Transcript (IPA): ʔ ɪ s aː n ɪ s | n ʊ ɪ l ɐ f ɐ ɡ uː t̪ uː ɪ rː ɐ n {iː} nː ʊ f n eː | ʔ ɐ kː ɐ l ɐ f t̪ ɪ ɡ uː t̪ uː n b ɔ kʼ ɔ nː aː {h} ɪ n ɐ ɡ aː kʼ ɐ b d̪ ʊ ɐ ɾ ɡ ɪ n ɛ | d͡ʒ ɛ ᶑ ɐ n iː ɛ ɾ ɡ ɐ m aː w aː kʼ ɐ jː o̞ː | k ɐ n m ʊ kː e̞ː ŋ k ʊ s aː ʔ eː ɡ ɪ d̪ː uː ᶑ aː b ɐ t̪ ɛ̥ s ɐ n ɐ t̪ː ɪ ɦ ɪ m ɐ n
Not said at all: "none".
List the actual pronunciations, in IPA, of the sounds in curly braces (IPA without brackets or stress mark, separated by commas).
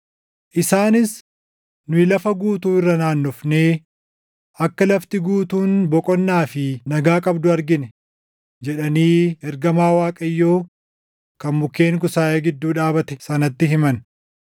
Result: aː, f